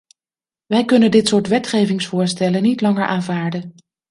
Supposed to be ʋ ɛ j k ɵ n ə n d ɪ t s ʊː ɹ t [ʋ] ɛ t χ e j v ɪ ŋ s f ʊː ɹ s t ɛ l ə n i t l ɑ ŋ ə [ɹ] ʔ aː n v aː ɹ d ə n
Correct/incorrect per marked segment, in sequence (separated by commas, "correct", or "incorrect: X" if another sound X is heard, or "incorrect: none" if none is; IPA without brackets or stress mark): correct, correct